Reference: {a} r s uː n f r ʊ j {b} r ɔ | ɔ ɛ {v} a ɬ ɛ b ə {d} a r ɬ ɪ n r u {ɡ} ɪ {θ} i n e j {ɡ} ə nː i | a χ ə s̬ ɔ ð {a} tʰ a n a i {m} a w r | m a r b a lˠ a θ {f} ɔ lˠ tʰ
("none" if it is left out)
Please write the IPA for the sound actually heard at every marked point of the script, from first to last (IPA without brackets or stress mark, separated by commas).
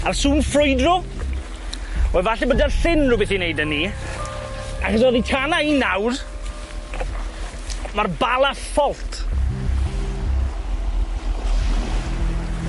a, d, v, d, b, θ, d, i, n, f